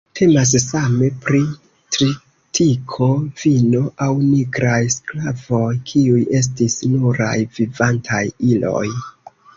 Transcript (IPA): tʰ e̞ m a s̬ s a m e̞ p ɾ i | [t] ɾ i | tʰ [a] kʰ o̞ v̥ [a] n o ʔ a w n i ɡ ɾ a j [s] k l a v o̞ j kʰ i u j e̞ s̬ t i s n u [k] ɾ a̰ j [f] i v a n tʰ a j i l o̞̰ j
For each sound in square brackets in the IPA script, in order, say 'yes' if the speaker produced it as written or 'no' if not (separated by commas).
yes, no, no, yes, no, no